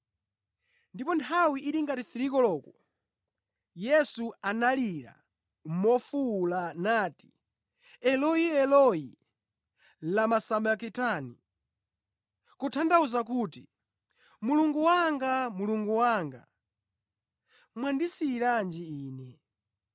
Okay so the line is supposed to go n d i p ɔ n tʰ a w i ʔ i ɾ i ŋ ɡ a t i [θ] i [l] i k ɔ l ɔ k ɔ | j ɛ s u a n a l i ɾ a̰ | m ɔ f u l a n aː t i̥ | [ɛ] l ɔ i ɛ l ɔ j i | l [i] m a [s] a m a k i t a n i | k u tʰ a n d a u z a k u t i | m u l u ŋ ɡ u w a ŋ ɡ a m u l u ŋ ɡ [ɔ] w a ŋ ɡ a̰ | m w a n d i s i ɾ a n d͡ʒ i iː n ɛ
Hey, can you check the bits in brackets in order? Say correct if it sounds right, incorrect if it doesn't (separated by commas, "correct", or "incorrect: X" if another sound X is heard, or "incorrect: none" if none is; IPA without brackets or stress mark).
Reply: correct, incorrect: ɾ, correct, incorrect: a, correct, incorrect: u